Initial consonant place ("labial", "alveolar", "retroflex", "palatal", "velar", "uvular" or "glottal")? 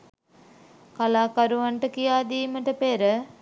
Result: velar